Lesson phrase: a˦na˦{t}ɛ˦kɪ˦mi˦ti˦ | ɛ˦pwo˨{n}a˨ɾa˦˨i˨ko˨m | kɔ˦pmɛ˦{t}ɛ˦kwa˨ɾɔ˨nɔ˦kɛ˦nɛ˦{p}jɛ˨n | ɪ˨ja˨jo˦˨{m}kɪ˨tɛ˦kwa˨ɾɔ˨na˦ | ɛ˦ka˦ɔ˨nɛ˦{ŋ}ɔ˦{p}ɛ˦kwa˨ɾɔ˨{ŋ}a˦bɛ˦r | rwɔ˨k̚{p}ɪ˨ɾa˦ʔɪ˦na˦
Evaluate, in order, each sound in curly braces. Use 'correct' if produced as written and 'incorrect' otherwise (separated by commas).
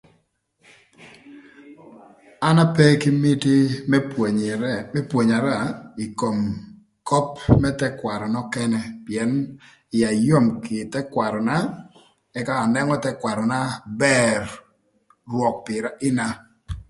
incorrect, incorrect, correct, correct, correct, correct, incorrect, incorrect, correct